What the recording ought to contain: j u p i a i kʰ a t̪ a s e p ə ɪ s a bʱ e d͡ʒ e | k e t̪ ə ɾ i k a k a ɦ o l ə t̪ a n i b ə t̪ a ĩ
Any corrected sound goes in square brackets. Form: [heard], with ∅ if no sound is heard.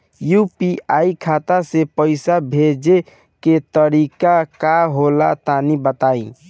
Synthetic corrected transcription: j u p i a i kʰ a t̪ a s e p ə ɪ s a bʱ e d͡ʒ e | k e t̪ ə ɾ i k a k a ɦ o l [a] t̪ a n i b ə t̪ a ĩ